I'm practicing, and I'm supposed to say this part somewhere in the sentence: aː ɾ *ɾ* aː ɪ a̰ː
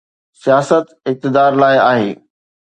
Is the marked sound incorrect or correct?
incorrect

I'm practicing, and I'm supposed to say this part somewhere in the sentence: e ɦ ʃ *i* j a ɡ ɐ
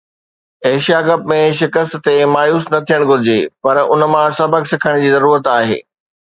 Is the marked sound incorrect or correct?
correct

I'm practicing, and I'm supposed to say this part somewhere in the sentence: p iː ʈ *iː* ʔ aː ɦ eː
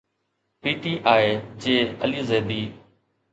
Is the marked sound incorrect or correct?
correct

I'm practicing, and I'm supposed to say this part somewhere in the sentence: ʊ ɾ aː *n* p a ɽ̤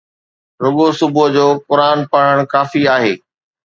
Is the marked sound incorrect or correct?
correct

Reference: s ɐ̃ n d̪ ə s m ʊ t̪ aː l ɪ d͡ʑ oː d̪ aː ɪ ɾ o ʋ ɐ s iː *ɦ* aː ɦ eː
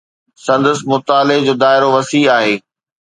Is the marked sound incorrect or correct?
incorrect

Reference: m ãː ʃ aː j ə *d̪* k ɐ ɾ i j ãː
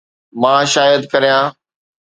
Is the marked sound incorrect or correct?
correct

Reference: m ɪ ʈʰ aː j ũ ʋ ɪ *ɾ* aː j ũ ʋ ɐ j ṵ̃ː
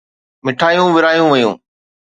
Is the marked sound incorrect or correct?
correct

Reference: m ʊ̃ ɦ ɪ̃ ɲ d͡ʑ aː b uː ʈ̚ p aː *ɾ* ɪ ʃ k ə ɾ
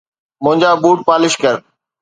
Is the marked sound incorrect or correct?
incorrect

